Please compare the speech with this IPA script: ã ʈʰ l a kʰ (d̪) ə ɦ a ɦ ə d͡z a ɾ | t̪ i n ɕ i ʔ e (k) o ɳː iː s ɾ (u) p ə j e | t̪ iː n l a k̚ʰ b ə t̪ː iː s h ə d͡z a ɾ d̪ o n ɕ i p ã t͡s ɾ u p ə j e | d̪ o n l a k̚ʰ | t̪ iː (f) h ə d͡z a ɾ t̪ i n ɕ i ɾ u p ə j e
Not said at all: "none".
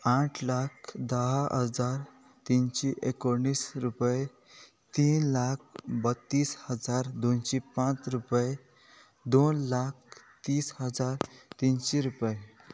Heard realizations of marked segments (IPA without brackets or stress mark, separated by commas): d̪, k, u, s